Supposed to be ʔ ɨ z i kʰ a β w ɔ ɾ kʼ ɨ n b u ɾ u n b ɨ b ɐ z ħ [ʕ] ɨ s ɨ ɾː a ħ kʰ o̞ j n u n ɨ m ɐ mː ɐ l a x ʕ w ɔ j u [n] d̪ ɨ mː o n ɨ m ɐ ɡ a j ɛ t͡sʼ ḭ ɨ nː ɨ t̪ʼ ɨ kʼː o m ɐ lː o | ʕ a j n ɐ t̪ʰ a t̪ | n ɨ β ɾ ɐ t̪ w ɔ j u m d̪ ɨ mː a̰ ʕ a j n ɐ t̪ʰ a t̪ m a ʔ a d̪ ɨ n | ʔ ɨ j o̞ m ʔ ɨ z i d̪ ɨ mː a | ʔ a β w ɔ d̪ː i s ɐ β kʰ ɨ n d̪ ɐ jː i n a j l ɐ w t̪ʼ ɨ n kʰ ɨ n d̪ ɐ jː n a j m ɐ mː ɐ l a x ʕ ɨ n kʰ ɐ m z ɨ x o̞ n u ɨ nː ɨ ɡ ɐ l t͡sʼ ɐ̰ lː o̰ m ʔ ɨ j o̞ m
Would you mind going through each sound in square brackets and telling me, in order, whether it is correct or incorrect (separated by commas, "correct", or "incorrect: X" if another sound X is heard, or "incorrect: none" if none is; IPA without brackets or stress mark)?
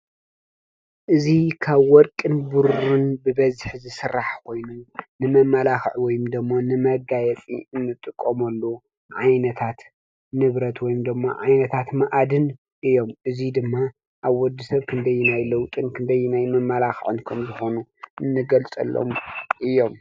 incorrect: z, incorrect: m